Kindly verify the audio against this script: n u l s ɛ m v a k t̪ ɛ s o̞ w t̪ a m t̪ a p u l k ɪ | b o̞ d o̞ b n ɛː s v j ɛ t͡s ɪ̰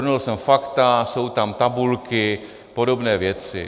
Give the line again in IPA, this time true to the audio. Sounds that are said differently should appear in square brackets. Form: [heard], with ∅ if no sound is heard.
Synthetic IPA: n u l s ɛ m [f] a k t̪ [a] s o̞ w t̪ a m t̪ a [b] u l k ɪ | [p] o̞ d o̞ b n ɛː [∅] v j ɛ t͡s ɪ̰